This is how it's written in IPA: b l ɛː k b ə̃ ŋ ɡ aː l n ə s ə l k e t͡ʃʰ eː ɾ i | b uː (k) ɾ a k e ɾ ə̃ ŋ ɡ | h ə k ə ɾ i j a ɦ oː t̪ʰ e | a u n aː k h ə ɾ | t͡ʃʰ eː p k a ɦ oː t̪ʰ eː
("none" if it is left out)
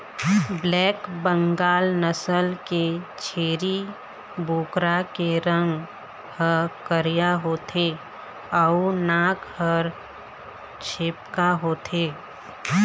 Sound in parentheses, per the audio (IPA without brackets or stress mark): k